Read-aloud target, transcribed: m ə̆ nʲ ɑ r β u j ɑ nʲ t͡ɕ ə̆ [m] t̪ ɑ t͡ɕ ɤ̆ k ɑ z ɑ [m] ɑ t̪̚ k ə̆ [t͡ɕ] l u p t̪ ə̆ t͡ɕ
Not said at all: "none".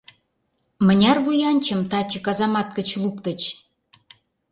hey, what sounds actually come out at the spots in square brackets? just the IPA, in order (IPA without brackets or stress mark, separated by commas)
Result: m, m, t͡ɕ